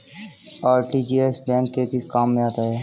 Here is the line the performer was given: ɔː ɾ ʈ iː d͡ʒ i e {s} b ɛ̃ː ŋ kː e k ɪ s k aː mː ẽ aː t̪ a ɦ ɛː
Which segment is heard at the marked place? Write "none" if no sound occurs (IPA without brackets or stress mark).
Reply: s